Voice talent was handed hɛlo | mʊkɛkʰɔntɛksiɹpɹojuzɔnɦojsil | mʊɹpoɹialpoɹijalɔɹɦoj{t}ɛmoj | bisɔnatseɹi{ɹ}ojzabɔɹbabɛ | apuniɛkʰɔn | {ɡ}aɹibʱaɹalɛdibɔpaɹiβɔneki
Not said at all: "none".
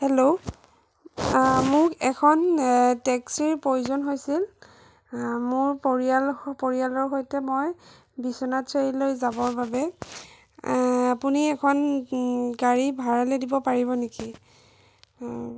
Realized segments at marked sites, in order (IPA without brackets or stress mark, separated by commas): t, l, ɡ